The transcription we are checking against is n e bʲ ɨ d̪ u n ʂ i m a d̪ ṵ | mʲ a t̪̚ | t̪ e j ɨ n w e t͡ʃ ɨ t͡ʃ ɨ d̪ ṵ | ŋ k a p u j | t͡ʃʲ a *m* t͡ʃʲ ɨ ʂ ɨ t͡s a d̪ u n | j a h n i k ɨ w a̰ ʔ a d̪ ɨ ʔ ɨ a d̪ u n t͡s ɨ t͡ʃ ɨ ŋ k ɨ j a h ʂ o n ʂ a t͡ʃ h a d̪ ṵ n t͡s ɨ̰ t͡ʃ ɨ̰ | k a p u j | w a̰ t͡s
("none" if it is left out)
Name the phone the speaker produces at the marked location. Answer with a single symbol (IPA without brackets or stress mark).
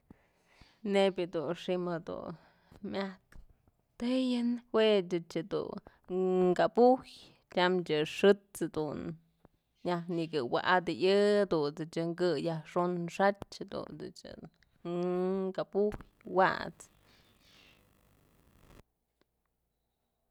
m